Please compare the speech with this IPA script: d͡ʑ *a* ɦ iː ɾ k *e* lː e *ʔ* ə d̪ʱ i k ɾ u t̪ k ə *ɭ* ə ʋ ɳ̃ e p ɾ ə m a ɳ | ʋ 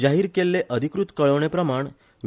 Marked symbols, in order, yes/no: yes, yes, yes, yes

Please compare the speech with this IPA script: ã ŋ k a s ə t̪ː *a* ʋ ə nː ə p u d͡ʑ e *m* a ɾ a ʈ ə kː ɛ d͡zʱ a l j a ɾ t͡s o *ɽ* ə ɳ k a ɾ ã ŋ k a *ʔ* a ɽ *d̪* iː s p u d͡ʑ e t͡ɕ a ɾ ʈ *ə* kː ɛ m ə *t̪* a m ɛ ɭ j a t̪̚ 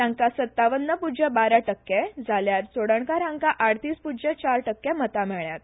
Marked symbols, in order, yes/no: yes, no, yes, yes, no, yes, yes

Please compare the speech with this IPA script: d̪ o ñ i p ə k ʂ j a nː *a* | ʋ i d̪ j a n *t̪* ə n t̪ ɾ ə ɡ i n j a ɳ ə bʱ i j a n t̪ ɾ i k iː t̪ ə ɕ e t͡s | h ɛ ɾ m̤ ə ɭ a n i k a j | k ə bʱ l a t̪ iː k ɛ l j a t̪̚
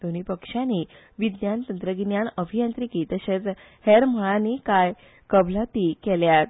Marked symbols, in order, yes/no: no, yes

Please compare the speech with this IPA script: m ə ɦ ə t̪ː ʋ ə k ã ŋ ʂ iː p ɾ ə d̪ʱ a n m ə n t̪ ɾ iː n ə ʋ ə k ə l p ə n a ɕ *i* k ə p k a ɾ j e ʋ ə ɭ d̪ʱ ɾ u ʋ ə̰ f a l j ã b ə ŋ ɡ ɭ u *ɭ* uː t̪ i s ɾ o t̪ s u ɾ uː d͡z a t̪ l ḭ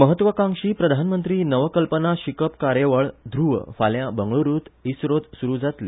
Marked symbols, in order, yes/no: yes, no

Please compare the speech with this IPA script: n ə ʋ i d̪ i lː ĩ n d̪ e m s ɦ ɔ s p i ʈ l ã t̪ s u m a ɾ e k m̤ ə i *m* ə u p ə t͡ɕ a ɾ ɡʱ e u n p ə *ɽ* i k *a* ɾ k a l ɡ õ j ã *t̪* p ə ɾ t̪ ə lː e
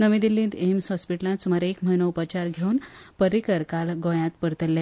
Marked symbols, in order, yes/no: no, no, no, yes

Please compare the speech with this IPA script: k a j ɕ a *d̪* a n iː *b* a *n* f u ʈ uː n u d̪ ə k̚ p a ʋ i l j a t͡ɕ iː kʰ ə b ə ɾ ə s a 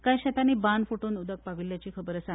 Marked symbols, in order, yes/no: no, yes, yes

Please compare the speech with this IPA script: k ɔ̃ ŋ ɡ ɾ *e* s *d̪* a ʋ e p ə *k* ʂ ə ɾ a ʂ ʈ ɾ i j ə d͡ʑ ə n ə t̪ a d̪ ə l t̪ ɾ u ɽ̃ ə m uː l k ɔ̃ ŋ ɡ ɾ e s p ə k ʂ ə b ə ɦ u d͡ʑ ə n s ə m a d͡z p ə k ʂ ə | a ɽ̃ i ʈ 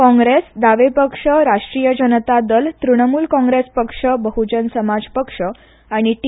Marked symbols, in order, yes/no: yes, yes, yes

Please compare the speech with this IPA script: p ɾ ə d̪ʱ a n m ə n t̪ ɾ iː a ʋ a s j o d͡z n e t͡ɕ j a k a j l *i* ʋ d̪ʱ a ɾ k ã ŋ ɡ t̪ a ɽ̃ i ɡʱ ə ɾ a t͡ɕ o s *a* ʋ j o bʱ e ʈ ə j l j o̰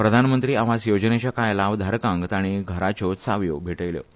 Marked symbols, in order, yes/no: no, yes

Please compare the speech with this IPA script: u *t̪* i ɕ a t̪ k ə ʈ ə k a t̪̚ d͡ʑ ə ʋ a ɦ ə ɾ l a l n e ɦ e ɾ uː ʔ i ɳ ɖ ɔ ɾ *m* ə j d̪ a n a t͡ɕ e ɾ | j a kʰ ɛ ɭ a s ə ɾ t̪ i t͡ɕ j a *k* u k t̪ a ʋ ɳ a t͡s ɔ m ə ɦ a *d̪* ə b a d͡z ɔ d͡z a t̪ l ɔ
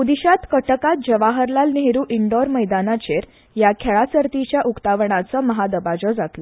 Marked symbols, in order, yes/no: no, yes, no, yes

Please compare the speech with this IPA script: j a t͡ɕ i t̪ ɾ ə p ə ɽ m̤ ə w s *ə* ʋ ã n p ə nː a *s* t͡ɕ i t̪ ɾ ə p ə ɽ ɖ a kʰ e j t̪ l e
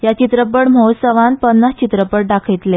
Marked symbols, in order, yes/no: yes, yes

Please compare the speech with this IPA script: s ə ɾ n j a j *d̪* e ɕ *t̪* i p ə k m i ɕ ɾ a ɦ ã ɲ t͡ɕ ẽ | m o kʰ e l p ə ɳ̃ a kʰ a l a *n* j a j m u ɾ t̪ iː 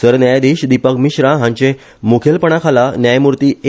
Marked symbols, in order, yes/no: yes, no, yes

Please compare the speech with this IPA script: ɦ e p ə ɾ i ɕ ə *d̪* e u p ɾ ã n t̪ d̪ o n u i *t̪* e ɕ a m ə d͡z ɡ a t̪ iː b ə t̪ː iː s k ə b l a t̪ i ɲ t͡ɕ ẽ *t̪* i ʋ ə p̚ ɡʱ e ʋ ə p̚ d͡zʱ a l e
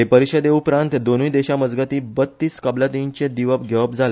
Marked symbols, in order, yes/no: yes, no, no

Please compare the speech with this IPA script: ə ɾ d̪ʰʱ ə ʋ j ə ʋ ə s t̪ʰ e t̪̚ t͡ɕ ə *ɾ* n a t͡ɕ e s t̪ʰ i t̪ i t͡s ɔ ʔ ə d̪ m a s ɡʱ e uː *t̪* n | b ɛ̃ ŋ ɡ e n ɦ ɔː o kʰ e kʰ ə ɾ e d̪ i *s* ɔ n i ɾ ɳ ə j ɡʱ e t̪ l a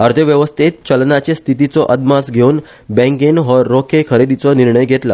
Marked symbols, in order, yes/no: no, no, no

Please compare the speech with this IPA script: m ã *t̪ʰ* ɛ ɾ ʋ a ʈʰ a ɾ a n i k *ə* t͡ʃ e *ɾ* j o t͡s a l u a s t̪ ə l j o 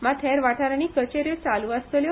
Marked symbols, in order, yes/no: yes, yes, yes

